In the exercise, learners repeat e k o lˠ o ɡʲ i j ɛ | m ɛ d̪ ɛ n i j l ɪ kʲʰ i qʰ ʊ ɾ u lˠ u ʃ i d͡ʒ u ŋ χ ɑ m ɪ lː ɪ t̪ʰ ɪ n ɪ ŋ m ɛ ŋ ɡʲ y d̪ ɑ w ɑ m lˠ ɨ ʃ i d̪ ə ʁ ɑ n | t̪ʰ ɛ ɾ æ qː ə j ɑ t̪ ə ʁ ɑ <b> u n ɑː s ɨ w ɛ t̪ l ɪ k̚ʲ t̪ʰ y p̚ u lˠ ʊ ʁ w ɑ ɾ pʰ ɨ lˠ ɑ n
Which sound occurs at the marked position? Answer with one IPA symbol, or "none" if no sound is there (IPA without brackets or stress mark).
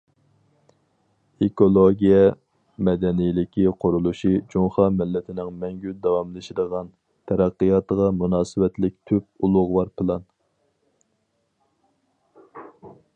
m